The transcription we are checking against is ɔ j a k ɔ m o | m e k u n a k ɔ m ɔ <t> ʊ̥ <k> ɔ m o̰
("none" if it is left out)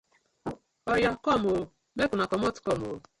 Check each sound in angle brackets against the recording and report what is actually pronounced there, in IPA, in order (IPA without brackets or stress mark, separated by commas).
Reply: t, k